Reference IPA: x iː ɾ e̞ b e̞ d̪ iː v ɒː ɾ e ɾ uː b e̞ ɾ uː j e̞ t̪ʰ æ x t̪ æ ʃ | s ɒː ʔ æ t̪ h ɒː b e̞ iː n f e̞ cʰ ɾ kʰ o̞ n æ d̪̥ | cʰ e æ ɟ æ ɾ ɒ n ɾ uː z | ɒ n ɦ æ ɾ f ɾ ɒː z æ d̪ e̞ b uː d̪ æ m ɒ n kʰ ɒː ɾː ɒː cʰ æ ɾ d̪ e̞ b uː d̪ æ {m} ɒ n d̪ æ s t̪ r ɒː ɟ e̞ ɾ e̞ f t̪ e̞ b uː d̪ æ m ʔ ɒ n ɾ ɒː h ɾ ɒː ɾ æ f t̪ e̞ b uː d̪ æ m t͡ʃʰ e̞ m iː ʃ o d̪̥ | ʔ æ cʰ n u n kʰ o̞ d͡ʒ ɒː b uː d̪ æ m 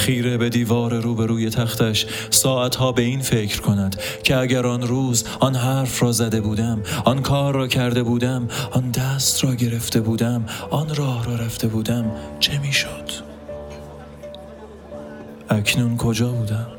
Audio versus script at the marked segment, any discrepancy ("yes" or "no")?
no